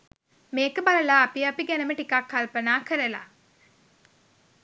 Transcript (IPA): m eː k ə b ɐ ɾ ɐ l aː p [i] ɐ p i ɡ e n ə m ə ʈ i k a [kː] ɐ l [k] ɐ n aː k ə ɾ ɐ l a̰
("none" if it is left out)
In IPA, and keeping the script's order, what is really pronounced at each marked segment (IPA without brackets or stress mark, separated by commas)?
i, kː, p